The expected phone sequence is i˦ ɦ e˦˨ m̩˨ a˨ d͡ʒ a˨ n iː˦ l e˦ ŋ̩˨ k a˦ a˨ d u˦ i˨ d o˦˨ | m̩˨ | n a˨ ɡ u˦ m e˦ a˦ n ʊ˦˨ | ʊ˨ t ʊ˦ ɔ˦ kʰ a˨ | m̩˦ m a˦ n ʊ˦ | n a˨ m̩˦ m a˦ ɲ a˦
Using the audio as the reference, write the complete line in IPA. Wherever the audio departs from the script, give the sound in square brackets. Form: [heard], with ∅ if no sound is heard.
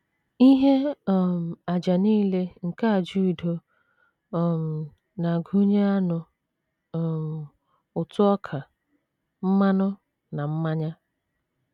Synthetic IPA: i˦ ɦ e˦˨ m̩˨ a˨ d͡ʒ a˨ n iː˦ l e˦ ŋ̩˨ k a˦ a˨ [d͡ʒ] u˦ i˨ d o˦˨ | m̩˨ | n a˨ ɡ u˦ [ɲ] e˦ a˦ n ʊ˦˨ | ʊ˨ t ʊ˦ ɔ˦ kʰ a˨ | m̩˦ m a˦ n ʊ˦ | n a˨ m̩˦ m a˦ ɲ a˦